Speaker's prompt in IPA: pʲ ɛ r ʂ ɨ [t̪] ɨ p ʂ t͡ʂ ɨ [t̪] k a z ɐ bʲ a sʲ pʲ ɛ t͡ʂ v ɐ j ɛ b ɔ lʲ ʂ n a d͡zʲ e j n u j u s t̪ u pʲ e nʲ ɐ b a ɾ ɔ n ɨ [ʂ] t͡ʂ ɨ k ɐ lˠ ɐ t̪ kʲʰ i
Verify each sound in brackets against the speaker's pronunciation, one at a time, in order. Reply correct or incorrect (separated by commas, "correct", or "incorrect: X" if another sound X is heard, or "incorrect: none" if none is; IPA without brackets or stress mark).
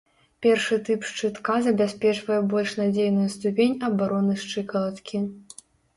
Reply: correct, correct, correct